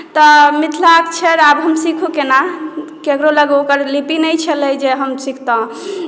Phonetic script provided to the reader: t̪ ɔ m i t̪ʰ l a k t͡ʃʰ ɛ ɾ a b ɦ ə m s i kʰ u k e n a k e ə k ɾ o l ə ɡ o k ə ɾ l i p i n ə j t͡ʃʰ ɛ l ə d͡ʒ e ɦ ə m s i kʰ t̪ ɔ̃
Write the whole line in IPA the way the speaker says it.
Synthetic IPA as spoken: t̪ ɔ m i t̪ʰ l a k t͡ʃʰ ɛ ɾ a b ɦ ə m s i kʰ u k e n a k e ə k ɾ o l ə ɡ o k ə ɾ l i p i n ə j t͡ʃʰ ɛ l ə d͡ʒ e ɦ ə m s i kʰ t̪ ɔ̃